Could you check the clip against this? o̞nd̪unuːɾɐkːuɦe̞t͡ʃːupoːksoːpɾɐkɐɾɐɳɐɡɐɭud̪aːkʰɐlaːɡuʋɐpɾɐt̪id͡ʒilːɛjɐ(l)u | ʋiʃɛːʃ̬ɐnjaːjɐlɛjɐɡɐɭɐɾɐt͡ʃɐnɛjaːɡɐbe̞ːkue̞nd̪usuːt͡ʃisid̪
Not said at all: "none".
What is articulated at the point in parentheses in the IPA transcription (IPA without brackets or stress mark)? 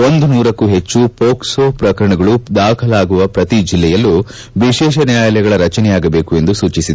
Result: lː